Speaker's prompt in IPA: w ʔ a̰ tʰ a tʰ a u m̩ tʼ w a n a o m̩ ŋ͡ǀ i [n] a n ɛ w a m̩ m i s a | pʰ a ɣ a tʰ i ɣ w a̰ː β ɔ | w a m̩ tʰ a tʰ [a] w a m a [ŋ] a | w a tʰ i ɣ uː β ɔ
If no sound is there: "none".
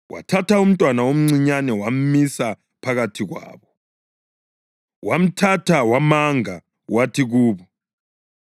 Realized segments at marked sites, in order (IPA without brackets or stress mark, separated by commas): ɲ, a, ŋ